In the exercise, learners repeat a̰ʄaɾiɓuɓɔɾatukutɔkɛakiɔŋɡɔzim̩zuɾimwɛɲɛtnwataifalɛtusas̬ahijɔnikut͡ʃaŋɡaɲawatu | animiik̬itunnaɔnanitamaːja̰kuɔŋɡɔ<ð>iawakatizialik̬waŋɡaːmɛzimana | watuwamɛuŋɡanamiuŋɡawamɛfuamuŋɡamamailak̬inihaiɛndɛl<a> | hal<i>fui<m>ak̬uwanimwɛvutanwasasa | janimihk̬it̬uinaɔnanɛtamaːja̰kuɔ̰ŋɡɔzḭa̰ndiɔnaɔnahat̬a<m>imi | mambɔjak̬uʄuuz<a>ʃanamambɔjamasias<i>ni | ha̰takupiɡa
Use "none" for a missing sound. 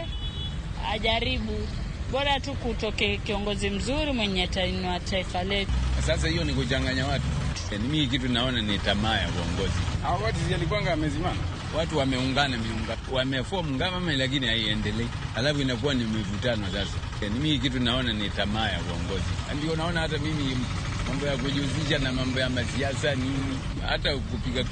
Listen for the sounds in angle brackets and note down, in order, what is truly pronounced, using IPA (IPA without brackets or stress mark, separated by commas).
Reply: z, ɛ, a, n, m, i, a